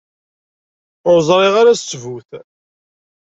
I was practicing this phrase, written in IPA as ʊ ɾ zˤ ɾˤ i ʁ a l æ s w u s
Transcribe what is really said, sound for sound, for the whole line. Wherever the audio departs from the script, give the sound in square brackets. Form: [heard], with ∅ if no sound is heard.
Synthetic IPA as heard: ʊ ɾ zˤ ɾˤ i ʁ a [ɾ] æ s [v] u [θ]